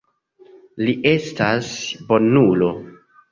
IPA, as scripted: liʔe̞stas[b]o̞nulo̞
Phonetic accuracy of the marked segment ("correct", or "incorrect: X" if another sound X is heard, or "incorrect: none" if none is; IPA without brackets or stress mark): correct